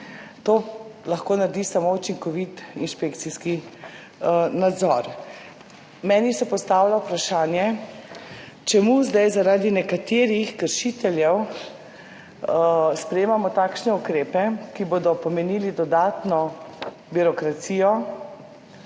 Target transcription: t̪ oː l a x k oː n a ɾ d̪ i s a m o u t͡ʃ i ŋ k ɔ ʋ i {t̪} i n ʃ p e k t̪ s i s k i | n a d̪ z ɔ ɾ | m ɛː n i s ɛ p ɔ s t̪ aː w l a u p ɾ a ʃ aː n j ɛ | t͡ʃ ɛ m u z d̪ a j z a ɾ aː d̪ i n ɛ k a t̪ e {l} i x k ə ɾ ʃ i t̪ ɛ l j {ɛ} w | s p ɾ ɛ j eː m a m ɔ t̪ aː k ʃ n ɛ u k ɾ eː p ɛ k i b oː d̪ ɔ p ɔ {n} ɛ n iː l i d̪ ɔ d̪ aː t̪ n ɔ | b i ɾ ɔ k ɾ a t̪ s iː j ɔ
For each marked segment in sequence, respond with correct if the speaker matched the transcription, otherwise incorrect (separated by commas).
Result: correct, incorrect, correct, incorrect